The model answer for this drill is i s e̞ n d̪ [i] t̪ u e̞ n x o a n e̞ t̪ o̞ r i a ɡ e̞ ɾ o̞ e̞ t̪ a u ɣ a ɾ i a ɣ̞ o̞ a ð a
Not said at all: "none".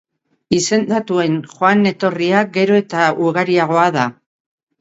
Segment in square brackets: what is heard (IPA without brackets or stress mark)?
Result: a